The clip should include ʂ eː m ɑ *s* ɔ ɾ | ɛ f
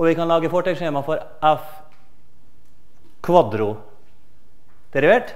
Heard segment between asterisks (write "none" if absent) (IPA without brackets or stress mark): f